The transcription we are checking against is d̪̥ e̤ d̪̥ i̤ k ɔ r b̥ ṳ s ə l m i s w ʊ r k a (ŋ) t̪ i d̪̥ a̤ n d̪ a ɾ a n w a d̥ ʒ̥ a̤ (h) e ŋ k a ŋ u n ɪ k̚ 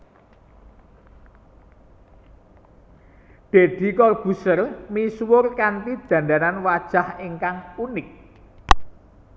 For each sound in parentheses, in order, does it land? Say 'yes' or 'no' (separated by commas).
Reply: no, yes